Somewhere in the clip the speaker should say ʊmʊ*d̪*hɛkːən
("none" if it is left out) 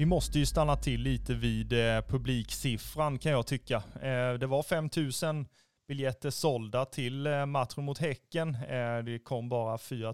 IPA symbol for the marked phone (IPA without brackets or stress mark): t̪